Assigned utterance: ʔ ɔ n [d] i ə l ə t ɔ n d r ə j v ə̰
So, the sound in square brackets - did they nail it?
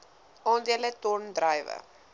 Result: yes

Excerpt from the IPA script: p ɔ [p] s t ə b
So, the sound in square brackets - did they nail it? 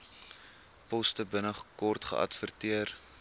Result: no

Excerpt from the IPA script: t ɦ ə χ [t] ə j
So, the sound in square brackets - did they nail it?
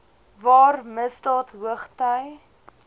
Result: yes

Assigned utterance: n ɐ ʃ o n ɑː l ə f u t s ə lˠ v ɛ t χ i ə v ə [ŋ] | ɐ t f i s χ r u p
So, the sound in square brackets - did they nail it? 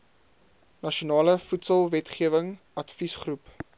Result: yes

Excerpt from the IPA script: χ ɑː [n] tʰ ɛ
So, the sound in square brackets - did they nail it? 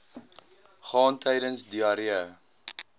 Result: yes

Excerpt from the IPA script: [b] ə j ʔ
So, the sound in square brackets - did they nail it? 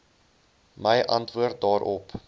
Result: no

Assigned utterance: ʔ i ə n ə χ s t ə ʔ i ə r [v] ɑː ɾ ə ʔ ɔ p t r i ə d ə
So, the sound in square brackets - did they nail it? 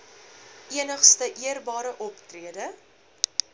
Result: no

